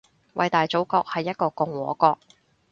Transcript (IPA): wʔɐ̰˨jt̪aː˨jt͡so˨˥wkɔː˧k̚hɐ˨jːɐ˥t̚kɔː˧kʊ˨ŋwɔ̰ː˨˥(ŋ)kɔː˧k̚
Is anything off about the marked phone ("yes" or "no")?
yes